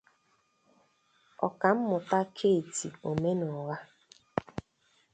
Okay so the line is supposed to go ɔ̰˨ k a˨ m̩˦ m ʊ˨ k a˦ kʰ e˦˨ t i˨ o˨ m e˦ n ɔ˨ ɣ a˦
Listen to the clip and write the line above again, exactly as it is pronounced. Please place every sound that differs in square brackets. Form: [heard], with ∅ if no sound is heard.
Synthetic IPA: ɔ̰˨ k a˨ m̩˦ m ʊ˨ [t] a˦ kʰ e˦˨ t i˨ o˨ m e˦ n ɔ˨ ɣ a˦